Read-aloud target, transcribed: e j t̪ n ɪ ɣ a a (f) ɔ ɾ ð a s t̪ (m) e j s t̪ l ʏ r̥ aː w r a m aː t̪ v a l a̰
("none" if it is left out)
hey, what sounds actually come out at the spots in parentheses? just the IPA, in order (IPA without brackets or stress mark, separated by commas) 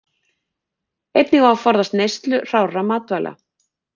f, n